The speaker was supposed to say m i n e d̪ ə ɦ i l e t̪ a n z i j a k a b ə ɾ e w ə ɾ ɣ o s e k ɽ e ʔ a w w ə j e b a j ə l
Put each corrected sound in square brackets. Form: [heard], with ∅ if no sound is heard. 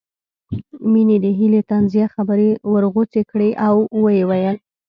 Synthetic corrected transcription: m i n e d̪ ə ɦ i l e t̪ a n z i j a [x] a b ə ɾ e w ə ɾ ɣ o [t͡s] e k ɽ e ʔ a w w ə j e [w] a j ə l